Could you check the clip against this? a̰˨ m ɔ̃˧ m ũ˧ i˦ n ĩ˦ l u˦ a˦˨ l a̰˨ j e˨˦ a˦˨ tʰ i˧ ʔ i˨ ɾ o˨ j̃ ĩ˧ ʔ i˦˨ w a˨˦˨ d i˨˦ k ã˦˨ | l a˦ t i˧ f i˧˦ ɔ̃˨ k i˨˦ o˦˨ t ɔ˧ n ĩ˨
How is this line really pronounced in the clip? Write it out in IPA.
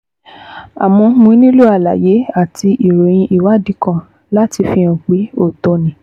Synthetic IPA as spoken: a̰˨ m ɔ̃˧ m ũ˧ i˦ n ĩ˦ l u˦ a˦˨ l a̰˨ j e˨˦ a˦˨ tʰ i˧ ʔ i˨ ɾ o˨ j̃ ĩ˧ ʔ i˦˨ w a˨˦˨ d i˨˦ k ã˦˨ | l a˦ t i˧ f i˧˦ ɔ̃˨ k͡p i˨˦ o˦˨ t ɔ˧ n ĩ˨